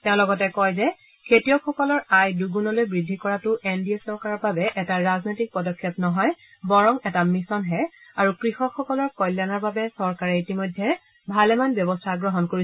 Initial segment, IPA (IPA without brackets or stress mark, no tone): t